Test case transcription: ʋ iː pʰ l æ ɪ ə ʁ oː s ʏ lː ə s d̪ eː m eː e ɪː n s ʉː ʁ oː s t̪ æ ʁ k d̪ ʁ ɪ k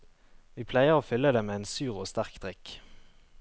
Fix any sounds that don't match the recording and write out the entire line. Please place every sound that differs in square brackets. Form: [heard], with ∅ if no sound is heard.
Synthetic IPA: ʋ iː pʰ l æ ɪ ə ʁ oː [f] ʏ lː ə [∅] d̪ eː m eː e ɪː n s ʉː ʁ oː s t̪ æ ʁ k d̪ ʁ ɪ k

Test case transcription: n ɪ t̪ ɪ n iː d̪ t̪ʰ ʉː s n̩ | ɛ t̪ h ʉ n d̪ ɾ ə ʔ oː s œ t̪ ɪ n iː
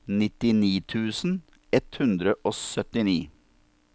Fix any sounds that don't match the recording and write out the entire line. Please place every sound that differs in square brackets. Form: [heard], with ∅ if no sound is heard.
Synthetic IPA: n ɪ t̪ ɪ n iː [∅] t̪ʰ ʉː s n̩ | ɛ t̪ h ʉ n d̪ ɾ ə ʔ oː s œ t̪ ɪ n iː

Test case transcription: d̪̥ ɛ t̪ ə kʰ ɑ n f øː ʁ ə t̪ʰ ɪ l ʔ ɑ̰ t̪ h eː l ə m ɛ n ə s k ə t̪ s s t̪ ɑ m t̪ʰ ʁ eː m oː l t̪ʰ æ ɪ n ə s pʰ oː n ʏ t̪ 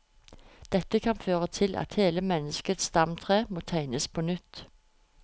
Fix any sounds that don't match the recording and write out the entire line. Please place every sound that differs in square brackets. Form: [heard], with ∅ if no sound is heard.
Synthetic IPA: d̪̥ ɛ t̪ ə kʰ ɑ n f øː ʁ ə t̪ʰ ɪ l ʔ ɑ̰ t̪ h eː l ə m ɛ n ə s k ə t̪ s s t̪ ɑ m t̪ʰ ʁ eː m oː [∅] t̪ʰ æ ɪ n ə s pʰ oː n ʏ t̪

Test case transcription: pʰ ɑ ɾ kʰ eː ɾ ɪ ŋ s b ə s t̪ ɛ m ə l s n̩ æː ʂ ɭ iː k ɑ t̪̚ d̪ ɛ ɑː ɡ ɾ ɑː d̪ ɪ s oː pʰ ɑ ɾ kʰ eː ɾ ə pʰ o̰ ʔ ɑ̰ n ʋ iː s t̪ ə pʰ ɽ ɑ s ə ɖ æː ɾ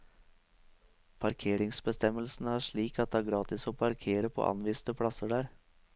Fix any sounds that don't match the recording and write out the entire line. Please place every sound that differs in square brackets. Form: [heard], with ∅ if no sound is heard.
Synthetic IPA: pʰ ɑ ɾ kʰ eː ɾ ɪ ŋ s b ə s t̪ ɛ m ə l s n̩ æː ʂ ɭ iː k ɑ t̪̚ d̪ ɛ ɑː ɡ ɾ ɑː [t̪] ɪ s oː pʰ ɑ ɾ kʰ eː ɾ ə pʰ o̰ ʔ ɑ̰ n ʋ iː s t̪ ə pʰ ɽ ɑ s ə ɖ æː ɾ

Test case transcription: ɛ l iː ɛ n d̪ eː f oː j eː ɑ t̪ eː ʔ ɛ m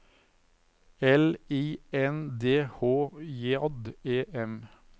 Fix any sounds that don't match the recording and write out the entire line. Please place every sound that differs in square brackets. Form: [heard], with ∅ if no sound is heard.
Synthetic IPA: ɛ l iː ɛ n d̪ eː [h] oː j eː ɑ [d̪] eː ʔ ɛ m

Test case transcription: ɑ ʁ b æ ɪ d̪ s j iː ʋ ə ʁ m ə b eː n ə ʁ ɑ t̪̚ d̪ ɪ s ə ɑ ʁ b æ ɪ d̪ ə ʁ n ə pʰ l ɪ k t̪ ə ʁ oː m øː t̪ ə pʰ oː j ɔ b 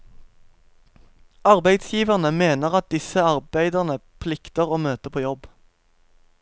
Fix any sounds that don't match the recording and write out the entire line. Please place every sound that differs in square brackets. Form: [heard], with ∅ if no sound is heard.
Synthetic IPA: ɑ ʁ b æ ɪ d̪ s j iː ʋ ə ʁ [n] ə [m] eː n ə ʁ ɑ t̪̚ d̪ ɪ s ə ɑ ʁ b æ ɪ d̪ ə ʁ n ə pʰ l ɪ k t̪ ə ʁ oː m øː t̪ ə pʰ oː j ɔ b

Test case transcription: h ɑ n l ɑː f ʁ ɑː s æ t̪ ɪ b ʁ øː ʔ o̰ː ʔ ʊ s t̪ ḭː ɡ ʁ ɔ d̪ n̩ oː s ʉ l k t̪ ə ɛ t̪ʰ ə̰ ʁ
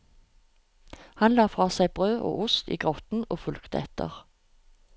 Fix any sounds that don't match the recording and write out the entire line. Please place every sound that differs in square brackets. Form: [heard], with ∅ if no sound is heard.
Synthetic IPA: h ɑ n l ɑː f ʁ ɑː s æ [∅] ɪ b ʁ øː ʔ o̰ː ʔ ʊ s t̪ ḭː ɡ ʁ ɔ [t̪] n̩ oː [f] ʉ l k t̪ ə ɛ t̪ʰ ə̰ ʁ

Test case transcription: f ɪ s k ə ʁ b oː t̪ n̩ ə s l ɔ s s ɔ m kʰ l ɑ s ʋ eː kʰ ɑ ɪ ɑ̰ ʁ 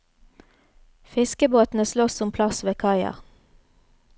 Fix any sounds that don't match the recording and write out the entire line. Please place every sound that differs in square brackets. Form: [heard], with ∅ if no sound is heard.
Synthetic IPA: f ɪ s k ə [∅] b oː t̪ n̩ ə s l ɔ s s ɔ m [pʰ] l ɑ s ʋ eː kʰ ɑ ɪ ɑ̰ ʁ

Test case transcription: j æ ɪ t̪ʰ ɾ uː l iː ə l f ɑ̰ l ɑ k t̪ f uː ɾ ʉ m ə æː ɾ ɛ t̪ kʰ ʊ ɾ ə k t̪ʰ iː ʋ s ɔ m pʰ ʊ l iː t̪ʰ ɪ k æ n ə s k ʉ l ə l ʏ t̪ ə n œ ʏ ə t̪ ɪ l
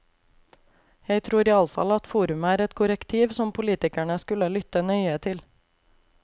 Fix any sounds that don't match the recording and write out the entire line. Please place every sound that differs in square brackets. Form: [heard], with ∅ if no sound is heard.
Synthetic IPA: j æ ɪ t̪ʰ ɾ uː [ɾ] iː [ɑ] l f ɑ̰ l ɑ [∅] t̪ f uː ɾ ʉ m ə æː ɾ ɛ t̪ kʰ ʊ ɾ ə k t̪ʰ iː ʋ s ɔ m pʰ ʊ l iː [t̪] ɪ k æ [ɳ] ə s k ʉ l ə l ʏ t̪ ə n œ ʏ ə [t̪ʰ] ɪ l

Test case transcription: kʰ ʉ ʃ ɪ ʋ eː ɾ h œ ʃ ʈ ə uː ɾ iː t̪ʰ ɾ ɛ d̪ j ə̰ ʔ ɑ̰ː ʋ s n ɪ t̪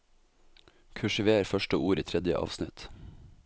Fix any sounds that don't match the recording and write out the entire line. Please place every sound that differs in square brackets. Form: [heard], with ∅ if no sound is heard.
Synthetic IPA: kʰ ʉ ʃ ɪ ʋ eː ɾ [f] œ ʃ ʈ ə uː ɾ iː t̪ʰ ɾ ɛ d̪ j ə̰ ʔ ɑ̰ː ʋ s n ɪ t̪

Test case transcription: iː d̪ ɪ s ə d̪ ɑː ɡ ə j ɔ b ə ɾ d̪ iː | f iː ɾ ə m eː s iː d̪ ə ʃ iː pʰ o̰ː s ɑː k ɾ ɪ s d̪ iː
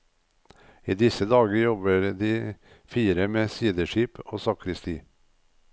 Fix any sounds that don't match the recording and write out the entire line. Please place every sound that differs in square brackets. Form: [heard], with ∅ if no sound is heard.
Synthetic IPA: iː d̪ ɪ s ə d̪ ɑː ɡ ə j ɔ b ə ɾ d̪ iː | f iː ɾ ə m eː s iː d̪ ə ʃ iː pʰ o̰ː s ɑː k ɾ ɪ s [t̪] iː

